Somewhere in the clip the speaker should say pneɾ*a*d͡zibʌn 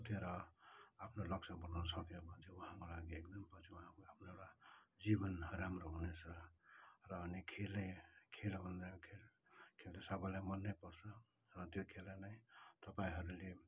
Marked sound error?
no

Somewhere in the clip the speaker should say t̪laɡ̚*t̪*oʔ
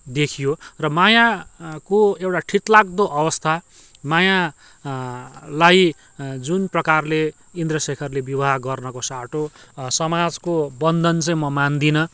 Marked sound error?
yes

